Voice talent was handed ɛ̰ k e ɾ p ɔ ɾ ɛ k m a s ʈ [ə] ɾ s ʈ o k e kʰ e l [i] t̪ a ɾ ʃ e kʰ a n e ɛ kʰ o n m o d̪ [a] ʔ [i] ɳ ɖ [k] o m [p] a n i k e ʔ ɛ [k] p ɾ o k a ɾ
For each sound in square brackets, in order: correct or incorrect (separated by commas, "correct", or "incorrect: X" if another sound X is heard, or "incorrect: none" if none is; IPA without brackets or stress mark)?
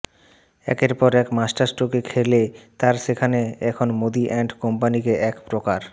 incorrect: a, incorrect: e, incorrect: i, incorrect: ɛ, correct, correct, correct